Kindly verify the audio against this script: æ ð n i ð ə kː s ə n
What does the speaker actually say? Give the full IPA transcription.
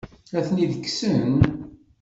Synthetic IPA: æ θ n i ð ə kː s ə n